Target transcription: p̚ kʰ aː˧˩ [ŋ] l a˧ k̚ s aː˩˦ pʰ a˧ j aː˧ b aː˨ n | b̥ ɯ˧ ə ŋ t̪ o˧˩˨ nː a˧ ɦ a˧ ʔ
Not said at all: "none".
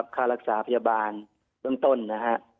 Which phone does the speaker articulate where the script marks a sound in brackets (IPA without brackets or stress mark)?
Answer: none